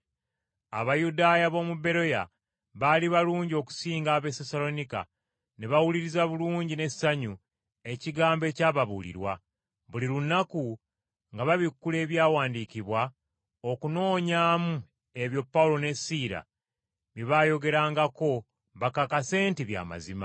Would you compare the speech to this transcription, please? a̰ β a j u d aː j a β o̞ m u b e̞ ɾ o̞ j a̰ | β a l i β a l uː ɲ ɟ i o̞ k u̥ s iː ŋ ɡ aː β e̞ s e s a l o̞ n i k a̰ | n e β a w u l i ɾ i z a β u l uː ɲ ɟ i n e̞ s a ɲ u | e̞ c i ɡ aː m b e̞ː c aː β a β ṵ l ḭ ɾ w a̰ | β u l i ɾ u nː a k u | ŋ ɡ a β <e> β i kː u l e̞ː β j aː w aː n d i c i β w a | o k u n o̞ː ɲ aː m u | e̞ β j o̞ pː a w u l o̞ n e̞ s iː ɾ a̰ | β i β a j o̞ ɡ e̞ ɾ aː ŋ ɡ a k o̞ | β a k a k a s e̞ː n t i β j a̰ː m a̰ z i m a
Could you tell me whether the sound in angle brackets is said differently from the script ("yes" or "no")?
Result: yes